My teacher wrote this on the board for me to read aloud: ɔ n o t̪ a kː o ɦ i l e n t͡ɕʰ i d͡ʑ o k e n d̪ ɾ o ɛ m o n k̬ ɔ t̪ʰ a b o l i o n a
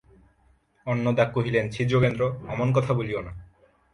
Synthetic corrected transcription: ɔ nː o d̪ a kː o ɦ i l e n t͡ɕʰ i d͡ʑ o k e n d̪ ɾ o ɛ m o n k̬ ɔ t̪ʰ a b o l i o n a